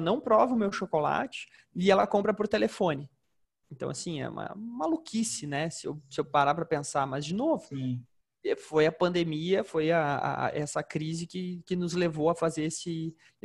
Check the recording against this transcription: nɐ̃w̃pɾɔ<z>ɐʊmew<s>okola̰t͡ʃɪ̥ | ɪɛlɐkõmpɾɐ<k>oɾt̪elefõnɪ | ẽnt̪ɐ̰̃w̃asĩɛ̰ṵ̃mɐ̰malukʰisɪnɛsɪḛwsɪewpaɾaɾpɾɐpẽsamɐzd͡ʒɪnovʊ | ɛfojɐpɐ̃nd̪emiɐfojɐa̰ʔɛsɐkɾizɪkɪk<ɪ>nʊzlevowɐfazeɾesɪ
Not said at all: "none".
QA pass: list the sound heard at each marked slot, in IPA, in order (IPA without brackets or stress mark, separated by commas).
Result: v, ʃ, p, ɪ